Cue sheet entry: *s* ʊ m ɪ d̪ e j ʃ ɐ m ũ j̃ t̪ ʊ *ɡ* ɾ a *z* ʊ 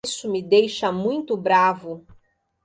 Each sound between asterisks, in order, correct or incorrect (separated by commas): correct, incorrect, incorrect